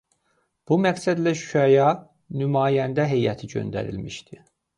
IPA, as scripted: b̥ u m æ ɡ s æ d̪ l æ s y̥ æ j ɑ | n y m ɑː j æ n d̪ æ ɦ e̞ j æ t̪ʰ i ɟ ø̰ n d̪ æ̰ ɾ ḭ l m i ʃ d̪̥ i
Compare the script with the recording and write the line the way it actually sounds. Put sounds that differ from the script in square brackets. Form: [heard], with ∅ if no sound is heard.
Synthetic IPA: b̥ u m æ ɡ s æ d̪ l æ [ʃ] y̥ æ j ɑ | n y m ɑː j æ n d̪ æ ɦ e̞ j æ t̪ʰ i ɟ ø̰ n d̪ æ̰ ɾ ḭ l m i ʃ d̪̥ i

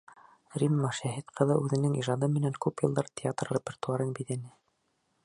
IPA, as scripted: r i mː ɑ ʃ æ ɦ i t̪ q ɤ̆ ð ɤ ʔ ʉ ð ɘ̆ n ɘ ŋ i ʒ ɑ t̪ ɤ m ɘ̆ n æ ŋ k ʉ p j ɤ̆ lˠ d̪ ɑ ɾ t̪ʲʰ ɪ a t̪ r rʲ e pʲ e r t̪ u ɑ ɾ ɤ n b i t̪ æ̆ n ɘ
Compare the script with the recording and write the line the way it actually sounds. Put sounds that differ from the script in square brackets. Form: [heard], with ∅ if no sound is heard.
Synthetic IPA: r i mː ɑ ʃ æ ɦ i t̪ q ɤ̆ ð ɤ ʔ ʉ ð ɘ̆ n ɘ ŋ i ʒ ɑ [d̪] ɤ m ɘ̆ n æ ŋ k ʉ p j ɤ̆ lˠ d̪ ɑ ɾ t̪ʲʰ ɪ a t̪ r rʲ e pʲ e r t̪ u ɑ ɾ ɤ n b i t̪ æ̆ n ɘ

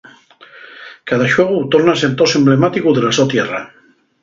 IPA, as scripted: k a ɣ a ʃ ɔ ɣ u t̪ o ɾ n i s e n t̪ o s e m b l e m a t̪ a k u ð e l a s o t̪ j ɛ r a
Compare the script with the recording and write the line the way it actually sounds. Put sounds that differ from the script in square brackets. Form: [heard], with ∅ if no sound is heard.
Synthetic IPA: k a [ð] a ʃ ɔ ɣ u t̪ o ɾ n [a] s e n t̪ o s e m b l e m a t̪ [i] k u ð e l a s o t̪ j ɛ r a

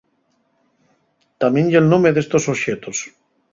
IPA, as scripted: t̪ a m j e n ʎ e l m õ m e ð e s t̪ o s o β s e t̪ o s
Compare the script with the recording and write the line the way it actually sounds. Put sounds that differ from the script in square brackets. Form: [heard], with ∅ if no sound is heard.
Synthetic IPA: t̪ a m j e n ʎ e l [n] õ m e ð e s t̪ o s o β [ʃ] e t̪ o s

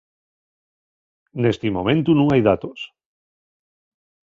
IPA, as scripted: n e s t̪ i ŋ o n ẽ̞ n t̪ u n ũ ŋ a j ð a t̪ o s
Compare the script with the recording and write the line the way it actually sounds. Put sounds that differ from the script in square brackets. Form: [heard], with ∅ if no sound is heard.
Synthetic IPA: n e s t̪ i [m] o [m] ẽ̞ n t̪ u n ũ ŋ a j ð a t̪ o s

